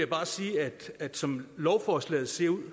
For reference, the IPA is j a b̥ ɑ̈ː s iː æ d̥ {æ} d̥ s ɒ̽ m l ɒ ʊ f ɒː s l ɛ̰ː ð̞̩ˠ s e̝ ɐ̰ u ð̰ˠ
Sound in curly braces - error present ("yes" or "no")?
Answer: no